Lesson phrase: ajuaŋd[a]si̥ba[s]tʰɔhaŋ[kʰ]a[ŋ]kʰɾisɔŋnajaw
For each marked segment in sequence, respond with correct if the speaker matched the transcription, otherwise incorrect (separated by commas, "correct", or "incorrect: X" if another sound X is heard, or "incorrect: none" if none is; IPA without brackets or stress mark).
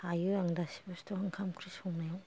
correct, correct, correct, incorrect: m